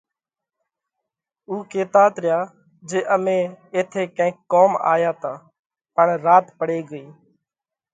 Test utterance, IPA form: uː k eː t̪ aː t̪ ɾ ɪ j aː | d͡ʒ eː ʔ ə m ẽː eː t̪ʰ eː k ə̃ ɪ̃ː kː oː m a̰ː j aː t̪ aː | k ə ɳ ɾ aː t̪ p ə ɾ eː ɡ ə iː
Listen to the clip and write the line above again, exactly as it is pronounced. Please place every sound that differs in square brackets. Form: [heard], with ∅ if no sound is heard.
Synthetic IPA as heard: uː k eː t̪ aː t̪ ɾ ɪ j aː | d͡ʒ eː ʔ ə m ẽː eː t̪ʰ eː k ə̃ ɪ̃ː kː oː m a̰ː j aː t̪ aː | [p] ə ɳ ɾ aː t̪ p ə [ɽ] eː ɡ ə iː